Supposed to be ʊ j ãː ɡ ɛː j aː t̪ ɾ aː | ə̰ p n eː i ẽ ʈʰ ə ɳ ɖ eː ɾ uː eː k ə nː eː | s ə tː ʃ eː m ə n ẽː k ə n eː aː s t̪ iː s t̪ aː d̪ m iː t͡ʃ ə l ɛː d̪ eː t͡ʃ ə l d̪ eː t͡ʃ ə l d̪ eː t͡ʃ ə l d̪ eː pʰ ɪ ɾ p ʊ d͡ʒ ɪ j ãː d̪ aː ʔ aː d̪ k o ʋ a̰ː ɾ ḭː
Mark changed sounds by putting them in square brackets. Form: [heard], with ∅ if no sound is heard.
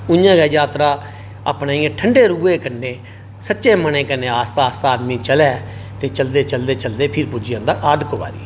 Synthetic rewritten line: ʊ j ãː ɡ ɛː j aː t̪ ɾ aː | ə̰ p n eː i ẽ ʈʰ ə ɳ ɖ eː ɾ uː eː k ə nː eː | s ə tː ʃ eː m ə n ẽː k ə n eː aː s t̪ [aː] s t̪ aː d̪ m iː t͡ʃ ə l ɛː [t̪] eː t͡ʃ ə l d̪ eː t͡ʃ ə l d̪ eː t͡ʃ ə l d̪ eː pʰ ɪ ɾ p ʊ d͡ʒ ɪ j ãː d̪ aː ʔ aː d̪ k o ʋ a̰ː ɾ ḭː